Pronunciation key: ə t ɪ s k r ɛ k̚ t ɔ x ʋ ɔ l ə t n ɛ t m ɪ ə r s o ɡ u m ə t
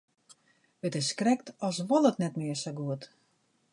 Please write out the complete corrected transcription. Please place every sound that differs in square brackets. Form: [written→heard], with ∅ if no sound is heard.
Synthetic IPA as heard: ə t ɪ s k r ɛ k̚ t ɔ [x→s] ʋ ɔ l ə t n ɛ t m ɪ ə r s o ɡ u [m→∅] ə t